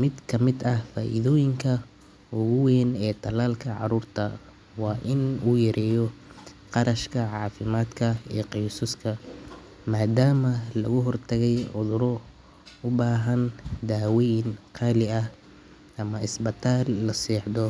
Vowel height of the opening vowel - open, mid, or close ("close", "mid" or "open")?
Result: close